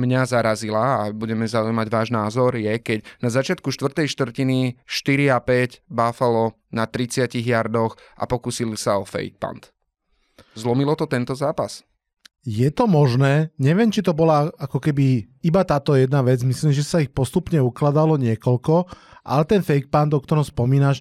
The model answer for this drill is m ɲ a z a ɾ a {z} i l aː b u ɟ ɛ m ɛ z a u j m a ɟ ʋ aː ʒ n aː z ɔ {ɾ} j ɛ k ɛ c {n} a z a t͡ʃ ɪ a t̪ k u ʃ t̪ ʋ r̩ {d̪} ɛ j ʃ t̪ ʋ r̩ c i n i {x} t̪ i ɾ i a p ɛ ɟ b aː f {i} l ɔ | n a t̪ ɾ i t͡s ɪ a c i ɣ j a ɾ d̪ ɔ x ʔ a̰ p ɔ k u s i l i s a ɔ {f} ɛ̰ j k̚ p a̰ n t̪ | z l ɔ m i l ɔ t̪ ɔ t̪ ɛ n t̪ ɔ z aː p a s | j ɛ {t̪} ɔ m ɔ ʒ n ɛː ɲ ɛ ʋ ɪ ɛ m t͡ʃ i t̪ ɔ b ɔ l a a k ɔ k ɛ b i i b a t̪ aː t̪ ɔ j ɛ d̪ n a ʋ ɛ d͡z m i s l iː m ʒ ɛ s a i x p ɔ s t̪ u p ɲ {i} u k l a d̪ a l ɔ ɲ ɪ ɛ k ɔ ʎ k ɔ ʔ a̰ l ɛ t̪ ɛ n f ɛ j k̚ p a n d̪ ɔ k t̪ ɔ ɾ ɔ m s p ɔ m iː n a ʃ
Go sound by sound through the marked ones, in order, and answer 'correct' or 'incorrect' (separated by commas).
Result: correct, correct, correct, incorrect, incorrect, incorrect, correct, correct, incorrect